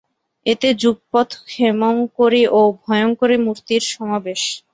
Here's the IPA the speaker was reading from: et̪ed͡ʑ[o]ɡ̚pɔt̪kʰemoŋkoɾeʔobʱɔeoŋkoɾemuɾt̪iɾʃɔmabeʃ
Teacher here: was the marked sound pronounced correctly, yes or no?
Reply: no